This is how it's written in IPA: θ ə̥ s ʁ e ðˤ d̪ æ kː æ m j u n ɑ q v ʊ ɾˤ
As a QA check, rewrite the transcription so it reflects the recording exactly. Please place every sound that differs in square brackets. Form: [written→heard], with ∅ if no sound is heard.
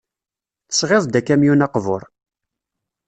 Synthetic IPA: θ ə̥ s ʁ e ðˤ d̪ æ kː æ m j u n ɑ q v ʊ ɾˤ